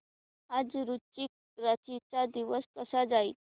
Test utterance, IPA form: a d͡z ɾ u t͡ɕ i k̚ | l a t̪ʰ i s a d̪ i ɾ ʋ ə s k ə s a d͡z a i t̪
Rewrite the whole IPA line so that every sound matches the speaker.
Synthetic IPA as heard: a d͡z ɾ u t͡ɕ i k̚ | ɾ a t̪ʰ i t͡s a d̪ i ʋ ə s k ə s a d͡z a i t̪